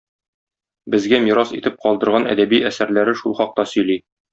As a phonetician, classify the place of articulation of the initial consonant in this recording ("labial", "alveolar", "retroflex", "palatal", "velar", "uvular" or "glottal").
labial